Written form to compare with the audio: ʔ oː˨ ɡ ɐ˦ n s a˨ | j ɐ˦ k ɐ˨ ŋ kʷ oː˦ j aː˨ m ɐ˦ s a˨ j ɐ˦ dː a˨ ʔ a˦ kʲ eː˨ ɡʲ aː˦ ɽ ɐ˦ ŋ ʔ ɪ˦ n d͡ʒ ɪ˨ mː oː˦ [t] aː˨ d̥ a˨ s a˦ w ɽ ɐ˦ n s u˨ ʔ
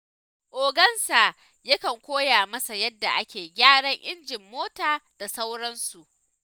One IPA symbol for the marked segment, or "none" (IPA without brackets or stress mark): t